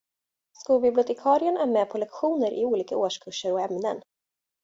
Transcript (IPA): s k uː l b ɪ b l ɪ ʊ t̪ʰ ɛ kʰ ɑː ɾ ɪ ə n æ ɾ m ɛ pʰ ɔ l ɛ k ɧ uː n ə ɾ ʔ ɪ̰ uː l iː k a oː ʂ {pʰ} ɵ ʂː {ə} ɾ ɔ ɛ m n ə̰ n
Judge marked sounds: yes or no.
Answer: no, yes

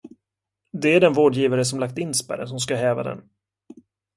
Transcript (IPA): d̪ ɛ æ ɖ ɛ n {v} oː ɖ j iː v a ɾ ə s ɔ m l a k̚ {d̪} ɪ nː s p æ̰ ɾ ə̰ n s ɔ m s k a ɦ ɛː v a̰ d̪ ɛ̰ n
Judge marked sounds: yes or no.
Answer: yes, no

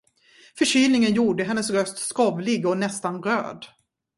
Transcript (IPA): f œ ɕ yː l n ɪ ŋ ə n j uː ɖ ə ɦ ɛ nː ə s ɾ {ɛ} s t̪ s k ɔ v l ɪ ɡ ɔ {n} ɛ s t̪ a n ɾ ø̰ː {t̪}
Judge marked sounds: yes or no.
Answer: no, yes, no

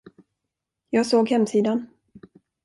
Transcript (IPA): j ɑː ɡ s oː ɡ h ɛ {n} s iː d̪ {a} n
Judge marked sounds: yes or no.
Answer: no, yes

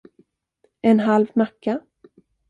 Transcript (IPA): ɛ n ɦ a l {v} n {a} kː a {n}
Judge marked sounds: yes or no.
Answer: yes, yes, no

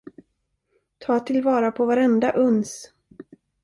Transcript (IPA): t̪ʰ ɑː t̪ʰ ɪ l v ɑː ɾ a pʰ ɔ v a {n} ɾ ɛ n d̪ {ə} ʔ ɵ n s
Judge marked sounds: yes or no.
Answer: no, no

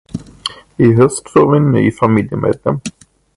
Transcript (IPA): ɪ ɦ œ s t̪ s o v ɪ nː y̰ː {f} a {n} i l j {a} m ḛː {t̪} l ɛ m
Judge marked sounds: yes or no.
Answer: yes, no, no, no

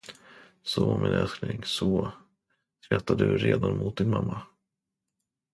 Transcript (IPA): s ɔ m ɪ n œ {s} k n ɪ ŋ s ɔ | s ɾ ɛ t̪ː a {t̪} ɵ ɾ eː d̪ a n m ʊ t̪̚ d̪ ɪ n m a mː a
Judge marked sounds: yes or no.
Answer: yes, no

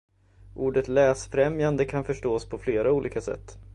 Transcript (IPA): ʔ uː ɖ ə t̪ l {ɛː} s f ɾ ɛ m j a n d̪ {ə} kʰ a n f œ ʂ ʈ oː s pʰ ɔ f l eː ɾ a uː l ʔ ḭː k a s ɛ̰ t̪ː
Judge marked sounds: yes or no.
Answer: yes, yes

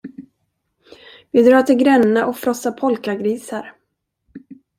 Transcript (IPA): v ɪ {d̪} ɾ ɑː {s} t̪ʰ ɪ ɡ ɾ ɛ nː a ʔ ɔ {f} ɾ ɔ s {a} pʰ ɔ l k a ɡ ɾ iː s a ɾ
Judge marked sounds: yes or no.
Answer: yes, no, yes, yes

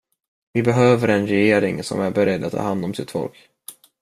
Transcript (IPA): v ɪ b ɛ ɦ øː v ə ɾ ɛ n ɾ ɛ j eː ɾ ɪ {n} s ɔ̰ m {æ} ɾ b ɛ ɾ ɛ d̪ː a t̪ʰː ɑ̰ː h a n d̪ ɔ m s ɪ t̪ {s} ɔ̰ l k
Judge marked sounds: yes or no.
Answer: no, yes, no

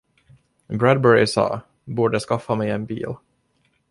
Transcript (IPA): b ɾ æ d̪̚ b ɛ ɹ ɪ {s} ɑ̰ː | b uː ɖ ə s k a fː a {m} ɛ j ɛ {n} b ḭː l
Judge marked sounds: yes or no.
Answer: yes, yes, yes

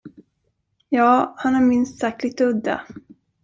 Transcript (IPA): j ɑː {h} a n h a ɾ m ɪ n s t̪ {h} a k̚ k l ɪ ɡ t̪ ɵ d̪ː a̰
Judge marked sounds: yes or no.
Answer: yes, no

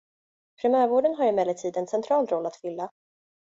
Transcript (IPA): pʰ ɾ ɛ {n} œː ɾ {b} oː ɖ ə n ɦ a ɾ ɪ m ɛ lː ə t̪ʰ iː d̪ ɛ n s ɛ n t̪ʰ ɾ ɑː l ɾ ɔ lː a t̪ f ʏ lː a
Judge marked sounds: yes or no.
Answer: no, no

